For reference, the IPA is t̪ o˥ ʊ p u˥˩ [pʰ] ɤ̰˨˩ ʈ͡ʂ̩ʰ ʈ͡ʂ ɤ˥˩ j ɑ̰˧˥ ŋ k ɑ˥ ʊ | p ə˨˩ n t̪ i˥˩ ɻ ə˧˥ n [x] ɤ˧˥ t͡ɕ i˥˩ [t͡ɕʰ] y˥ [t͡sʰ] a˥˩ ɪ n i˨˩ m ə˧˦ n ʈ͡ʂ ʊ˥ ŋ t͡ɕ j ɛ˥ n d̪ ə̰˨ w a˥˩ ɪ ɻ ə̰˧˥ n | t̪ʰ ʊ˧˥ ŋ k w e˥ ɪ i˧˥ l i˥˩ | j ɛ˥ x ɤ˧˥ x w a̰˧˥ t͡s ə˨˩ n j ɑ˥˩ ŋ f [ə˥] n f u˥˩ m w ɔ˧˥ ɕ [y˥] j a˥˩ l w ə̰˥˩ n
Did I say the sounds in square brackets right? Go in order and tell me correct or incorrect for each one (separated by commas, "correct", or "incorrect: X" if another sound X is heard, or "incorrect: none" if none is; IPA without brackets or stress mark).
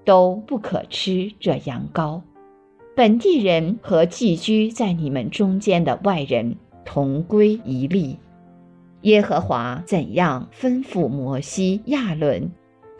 incorrect: kʰ, correct, incorrect: t͡ɕ, incorrect: t͡s, correct, incorrect: i˥